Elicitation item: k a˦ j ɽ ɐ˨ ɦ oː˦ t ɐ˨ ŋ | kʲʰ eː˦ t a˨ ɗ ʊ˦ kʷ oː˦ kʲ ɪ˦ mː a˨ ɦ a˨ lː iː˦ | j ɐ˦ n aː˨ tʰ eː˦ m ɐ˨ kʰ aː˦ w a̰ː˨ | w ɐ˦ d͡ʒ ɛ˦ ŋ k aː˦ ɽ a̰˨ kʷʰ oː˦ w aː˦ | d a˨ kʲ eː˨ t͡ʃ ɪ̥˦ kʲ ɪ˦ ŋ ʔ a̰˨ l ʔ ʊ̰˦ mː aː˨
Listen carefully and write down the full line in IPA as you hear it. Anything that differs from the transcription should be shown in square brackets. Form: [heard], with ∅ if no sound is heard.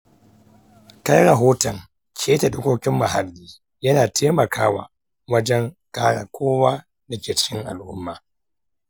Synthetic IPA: k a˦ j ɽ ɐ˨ ɦ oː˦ t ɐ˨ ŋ | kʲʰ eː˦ t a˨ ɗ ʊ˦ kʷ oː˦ kʲ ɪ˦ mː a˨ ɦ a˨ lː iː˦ | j ɐ˦ n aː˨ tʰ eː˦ m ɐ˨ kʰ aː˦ w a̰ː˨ | w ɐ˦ d͡ʒ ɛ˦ ŋ k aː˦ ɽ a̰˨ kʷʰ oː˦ w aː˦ | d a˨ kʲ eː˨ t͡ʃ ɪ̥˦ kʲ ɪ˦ ŋ ʔ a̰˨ l ʔ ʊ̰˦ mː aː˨